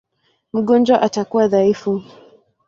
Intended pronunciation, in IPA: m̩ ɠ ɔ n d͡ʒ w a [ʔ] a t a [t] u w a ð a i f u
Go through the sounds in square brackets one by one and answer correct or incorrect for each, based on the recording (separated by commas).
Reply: correct, incorrect